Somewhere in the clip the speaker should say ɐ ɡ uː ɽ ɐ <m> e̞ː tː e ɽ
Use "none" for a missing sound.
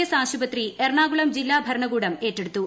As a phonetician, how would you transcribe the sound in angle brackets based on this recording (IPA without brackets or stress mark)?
m